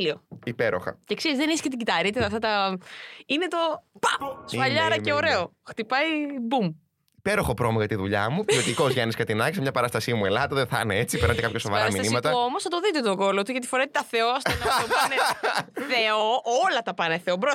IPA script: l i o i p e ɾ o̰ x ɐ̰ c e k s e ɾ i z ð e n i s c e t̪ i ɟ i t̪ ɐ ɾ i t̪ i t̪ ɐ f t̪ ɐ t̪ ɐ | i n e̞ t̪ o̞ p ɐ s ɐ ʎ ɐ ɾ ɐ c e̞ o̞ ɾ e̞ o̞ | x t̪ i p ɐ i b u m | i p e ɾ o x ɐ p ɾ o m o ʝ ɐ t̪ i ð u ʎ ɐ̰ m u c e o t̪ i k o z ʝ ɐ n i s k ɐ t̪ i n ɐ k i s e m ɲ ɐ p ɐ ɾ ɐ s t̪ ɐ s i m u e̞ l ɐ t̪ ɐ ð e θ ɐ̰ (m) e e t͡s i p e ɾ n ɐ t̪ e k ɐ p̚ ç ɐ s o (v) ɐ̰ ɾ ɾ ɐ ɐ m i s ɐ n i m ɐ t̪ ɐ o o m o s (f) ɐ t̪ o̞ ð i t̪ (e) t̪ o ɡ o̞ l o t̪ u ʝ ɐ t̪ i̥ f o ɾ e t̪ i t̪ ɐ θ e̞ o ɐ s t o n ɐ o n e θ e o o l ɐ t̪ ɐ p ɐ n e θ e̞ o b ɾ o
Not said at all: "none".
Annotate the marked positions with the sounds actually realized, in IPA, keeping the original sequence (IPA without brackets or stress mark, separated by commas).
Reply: n, v, θ, e